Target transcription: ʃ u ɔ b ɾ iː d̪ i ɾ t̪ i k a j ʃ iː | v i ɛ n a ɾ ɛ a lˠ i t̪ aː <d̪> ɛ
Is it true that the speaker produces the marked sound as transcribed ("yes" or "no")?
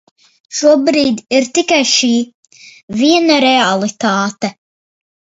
no